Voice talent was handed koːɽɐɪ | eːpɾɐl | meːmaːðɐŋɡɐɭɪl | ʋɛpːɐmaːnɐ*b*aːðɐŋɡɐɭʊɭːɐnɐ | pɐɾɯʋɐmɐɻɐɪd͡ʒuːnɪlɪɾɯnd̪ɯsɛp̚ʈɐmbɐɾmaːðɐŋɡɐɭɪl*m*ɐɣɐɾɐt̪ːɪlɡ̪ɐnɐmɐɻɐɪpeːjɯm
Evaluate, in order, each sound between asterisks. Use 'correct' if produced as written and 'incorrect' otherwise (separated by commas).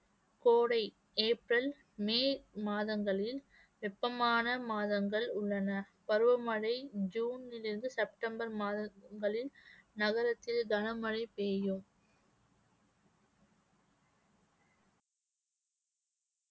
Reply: incorrect, incorrect